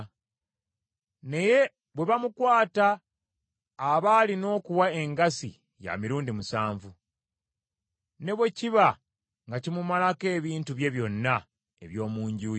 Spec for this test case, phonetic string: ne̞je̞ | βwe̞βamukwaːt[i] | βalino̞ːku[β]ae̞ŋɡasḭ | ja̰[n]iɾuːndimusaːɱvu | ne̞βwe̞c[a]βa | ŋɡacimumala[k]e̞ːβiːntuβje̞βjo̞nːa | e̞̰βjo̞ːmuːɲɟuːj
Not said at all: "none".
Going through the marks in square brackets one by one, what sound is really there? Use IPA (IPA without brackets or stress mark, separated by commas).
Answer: a, w, m, i, k